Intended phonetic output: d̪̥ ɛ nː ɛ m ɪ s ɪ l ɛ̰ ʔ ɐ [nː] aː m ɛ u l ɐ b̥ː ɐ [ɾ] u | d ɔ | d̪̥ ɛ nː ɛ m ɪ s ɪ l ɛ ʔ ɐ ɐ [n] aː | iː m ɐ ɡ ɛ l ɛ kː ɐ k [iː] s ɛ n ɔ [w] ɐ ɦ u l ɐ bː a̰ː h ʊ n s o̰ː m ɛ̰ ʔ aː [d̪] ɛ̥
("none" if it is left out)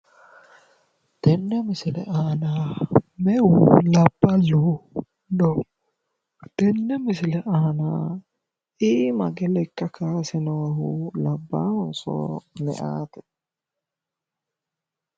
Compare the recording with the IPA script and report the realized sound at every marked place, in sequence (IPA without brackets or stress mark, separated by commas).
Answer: n, l, n, aː, w, t̪